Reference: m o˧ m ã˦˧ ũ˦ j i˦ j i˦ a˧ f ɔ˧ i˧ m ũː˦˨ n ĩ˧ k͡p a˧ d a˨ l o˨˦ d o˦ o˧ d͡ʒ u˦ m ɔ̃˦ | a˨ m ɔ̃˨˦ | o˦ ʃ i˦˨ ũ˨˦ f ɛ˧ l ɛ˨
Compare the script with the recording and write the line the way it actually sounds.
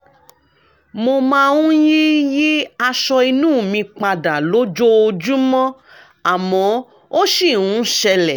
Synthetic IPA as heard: m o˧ m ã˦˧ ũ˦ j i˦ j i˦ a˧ ʃ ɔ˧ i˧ n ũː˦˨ m ĩ˧ k͡p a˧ d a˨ l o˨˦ d͡ʒ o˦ o˧ d͡ʒ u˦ m ɔ̃˦ | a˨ m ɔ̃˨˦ | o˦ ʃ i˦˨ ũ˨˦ ʃ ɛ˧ l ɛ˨